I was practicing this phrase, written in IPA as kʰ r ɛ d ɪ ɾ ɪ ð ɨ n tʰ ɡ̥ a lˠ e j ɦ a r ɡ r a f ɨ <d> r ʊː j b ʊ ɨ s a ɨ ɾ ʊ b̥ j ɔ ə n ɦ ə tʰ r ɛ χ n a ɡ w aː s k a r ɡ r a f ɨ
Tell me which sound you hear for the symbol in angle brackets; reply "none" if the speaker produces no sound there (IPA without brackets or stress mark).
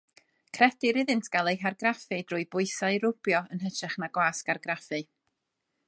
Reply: d